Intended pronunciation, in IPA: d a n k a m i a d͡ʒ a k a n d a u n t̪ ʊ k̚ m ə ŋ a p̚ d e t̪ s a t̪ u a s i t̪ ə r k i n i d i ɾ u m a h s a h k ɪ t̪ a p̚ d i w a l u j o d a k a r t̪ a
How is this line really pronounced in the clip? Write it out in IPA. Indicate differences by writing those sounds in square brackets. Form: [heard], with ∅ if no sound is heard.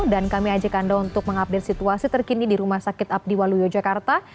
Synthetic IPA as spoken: d a n k a m i a d͡ʒ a k a n d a u n t̪ ʊ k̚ m ə ŋ a p̚ d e t̪ s [i] t̪ u a s i t̪ ə r k i n i d i ɾ u m a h s a [∅] k ɪ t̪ a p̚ d i w a l u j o [d͡ʒ] a k a r t̪ a